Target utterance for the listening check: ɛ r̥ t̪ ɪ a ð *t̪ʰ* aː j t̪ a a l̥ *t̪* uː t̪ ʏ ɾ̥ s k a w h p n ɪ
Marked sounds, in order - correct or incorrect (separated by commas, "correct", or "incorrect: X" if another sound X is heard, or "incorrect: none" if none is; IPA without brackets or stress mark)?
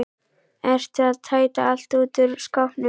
correct, correct